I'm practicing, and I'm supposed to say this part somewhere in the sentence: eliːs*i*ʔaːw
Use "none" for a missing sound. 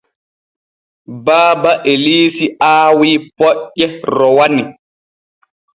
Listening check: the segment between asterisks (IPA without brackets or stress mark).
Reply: i